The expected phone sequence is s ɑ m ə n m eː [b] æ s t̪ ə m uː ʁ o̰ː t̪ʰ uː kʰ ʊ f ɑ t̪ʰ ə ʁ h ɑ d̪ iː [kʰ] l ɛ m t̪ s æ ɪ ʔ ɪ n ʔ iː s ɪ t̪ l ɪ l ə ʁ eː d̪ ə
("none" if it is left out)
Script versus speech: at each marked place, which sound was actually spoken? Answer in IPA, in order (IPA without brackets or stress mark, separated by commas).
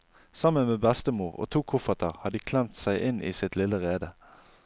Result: b, kʰ